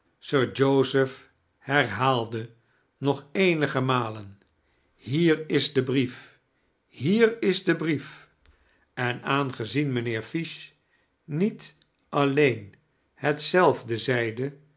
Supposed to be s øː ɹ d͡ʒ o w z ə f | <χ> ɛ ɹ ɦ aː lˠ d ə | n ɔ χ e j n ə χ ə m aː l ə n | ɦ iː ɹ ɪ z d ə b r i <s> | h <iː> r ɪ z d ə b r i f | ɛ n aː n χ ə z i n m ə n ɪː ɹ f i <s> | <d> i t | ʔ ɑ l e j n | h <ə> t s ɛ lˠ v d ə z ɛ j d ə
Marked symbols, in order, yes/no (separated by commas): no, no, yes, no, no, yes